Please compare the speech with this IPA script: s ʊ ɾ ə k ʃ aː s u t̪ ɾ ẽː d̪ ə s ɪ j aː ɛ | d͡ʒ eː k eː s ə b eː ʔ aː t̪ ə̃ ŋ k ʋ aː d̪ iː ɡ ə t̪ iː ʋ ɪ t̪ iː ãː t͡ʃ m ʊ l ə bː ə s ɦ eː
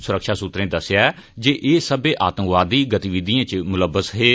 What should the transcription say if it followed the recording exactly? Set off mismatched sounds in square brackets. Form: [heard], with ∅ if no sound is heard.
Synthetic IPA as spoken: s ʊ ɾ ə k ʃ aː s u t̪ ɾ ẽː d̪ ə s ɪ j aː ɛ | d͡ʒ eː [ʔ] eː s ə b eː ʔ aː t̪ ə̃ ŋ k ʋ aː d̪ iː ɡ ə t̪ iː ʋ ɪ [d̪] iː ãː t͡ʃ m ʊ l ə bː ə s ɦ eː